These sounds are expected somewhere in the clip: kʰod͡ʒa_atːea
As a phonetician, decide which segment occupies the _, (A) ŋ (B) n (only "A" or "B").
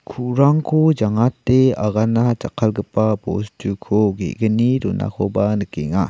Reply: A